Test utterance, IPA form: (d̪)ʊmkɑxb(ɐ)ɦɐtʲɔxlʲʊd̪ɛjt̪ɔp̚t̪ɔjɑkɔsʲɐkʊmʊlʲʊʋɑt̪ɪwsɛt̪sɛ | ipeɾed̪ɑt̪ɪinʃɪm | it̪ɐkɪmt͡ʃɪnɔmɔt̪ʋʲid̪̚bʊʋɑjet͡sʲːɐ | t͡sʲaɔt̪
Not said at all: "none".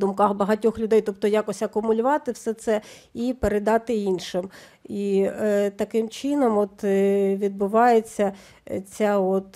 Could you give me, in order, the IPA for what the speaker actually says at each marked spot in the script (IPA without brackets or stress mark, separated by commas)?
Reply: d̪, ɐ